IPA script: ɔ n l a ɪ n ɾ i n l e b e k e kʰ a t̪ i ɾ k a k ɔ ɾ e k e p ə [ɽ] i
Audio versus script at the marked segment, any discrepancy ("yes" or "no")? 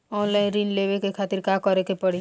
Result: no